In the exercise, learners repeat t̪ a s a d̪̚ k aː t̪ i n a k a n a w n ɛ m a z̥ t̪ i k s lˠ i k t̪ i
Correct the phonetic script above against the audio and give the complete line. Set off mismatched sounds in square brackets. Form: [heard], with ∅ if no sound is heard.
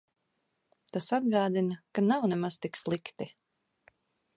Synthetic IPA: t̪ a s a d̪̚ [ɡ] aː [d̪] i n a k a n a w n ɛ m a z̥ t̪ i k s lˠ i k t̪ i